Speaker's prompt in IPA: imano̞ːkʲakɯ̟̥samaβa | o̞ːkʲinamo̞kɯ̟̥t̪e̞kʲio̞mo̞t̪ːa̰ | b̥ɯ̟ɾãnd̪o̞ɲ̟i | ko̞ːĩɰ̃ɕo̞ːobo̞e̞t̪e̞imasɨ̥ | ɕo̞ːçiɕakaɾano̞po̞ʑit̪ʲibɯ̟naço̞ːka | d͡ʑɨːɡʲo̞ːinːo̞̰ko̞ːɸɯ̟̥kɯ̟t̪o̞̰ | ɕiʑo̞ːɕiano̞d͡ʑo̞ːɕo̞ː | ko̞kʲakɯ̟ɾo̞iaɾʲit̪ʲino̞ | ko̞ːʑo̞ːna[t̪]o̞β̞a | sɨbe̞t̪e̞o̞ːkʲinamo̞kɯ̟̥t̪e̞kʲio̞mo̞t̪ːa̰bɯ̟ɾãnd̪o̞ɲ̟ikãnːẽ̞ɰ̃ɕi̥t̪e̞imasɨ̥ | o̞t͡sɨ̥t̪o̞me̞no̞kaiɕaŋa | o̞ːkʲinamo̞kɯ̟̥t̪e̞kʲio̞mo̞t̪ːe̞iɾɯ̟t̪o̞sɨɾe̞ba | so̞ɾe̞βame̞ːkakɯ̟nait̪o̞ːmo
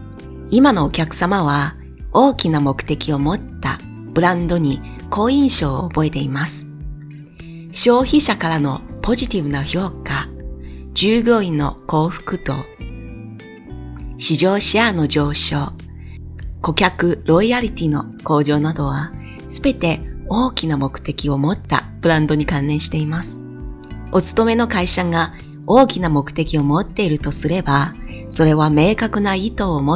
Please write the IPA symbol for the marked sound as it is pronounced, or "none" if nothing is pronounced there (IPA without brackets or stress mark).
d̪